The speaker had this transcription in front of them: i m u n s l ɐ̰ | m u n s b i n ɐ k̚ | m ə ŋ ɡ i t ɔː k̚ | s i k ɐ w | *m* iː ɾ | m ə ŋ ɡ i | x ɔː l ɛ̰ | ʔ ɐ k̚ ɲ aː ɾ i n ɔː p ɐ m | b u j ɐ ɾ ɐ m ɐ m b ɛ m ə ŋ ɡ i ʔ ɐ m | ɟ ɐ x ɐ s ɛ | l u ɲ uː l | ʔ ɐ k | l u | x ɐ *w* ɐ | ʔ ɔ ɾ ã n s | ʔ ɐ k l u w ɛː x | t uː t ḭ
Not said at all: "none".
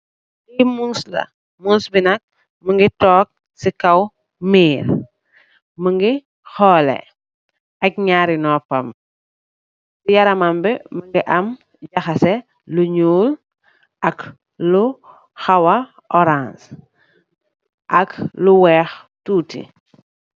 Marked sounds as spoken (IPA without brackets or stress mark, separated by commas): m, w